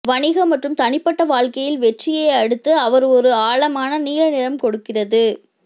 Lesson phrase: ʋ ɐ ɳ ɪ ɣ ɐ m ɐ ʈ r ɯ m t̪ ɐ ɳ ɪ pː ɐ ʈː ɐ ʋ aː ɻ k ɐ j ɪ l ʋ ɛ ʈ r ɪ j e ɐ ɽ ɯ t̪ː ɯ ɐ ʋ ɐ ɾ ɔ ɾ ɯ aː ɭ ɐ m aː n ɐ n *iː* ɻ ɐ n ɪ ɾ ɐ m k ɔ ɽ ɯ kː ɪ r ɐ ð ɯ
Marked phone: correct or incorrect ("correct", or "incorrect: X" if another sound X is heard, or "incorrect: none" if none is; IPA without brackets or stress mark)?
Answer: correct